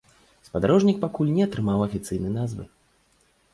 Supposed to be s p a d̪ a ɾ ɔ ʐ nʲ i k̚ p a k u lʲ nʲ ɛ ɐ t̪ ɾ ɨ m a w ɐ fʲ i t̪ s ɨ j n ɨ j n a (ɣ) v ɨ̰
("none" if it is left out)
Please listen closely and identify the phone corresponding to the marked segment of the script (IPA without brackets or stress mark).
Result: z